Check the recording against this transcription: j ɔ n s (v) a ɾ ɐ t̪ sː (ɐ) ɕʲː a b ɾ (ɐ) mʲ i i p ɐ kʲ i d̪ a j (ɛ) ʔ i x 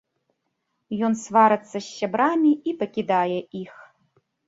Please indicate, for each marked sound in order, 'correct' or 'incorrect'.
correct, correct, incorrect: a, correct

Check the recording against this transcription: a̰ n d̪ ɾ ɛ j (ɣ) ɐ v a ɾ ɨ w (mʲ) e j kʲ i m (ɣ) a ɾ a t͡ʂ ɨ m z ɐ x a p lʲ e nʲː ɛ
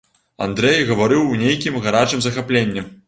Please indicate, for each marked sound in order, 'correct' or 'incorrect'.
correct, incorrect: nʲ, correct

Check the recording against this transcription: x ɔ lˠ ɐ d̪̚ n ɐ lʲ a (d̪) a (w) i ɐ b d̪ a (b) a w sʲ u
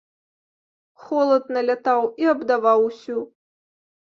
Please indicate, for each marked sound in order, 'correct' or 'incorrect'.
incorrect: t̪, correct, incorrect: v

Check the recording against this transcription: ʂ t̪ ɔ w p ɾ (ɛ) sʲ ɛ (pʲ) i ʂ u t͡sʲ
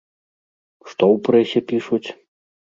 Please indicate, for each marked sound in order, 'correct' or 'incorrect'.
correct, correct

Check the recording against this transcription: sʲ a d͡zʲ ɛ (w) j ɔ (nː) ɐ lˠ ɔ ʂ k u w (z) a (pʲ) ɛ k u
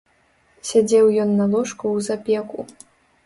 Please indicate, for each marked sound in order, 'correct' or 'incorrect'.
correct, correct, correct, correct

